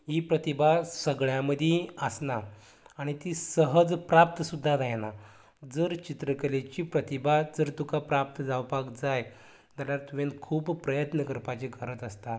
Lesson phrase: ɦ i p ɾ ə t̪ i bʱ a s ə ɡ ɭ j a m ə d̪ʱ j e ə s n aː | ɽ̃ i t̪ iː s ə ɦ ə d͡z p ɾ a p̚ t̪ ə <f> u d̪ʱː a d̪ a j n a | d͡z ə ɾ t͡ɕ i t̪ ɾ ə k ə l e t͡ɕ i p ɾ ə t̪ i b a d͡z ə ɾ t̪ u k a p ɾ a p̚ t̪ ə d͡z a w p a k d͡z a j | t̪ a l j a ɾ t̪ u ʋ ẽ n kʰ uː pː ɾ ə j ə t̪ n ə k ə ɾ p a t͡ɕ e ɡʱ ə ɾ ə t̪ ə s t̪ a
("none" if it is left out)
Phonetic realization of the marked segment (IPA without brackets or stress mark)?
s